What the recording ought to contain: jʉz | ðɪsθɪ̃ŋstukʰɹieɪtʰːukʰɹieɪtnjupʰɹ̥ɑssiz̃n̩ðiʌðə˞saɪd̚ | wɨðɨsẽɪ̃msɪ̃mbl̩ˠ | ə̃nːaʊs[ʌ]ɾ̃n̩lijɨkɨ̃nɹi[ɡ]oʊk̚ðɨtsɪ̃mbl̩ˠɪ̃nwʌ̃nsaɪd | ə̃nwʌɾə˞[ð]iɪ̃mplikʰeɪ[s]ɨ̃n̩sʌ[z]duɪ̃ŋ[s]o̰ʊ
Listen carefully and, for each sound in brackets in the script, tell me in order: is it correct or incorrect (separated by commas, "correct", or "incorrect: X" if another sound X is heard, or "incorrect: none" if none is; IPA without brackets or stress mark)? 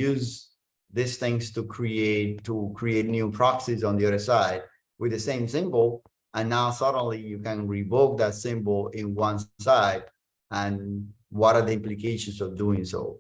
correct, incorrect: b, correct, incorrect: ʃ, incorrect: v, correct